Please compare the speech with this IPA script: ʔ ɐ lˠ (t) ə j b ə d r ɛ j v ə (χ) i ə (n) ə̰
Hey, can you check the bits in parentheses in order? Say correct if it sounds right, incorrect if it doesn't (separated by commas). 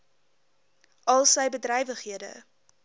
incorrect, correct, incorrect